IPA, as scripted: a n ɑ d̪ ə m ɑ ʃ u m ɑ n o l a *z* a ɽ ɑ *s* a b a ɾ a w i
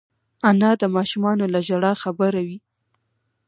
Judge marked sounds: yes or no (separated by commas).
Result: no, no